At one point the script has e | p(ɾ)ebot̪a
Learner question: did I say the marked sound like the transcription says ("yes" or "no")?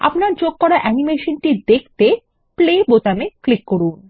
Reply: no